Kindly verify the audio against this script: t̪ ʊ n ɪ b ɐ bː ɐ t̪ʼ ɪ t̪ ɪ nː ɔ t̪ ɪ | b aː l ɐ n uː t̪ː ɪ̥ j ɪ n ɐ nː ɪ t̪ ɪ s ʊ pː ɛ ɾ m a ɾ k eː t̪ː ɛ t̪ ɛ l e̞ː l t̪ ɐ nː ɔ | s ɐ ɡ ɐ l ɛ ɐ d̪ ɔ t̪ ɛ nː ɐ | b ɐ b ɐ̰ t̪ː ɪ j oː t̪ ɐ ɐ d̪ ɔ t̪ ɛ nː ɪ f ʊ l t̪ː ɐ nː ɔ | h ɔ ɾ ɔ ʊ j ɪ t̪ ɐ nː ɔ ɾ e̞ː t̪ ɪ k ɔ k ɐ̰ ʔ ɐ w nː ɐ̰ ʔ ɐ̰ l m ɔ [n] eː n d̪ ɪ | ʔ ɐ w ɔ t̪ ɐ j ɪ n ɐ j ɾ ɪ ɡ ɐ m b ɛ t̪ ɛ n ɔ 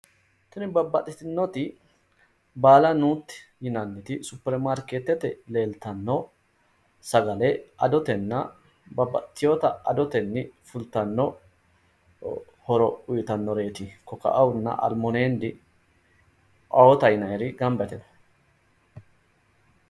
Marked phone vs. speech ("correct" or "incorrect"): correct